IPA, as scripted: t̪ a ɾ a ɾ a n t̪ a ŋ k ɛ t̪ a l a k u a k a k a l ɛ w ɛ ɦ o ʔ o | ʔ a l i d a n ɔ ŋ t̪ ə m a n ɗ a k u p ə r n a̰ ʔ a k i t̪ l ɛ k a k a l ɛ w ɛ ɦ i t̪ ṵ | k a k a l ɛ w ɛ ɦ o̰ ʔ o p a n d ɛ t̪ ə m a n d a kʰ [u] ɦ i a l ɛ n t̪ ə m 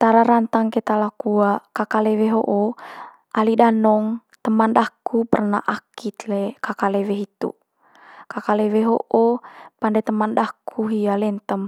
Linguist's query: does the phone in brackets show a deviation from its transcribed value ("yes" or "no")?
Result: no